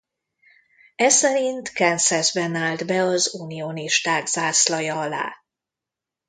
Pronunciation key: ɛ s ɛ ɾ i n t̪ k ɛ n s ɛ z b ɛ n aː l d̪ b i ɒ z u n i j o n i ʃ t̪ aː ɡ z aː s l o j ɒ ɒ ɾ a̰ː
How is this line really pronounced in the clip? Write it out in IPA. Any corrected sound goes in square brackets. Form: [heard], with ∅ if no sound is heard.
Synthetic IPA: ɛ s ɛ ɾ i n t̪ k ɛ n s ɛ z b ɛ n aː l d̪ b [ɛ] ɒ z u n i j o n i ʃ t̪ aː ɡ z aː s l [ɒ] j ɒ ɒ [l] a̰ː